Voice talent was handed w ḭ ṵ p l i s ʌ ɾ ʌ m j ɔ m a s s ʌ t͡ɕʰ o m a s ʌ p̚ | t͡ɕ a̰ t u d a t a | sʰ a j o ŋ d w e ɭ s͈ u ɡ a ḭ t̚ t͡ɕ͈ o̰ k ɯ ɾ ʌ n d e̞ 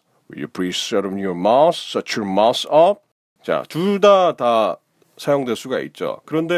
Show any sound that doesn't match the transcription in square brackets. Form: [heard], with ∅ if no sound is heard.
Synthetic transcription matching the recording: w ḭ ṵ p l i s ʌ ɾ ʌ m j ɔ m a s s ʌ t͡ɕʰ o m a s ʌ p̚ | t͡ɕ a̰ t u d a t a | sʰ a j o ŋ d w e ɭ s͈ u ɡ a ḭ t̚ t͡ɕ͈ o̰ k ɯ ɾ ʌ n d e̞